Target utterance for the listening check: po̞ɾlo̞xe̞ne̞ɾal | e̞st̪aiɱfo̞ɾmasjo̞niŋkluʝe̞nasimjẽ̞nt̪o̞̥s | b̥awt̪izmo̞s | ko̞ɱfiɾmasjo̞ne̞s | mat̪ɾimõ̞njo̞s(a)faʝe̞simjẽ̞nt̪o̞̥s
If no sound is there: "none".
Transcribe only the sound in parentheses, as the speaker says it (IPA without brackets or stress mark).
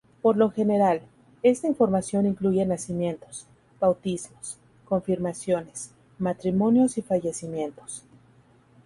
i